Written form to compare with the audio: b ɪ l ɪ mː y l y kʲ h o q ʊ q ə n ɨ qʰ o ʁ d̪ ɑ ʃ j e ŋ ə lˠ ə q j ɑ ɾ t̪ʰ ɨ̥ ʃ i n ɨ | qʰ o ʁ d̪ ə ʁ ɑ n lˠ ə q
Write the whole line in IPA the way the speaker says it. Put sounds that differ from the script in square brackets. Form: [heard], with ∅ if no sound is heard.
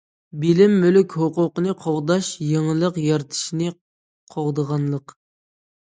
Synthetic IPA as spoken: b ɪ l ɪ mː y l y kʲ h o q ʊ q ə n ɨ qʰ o ʁ d̪ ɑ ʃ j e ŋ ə lˠ ə q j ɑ ɾ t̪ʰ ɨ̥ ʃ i n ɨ | qʰ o ʁ d̪ ə ʁ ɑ n lˠ ə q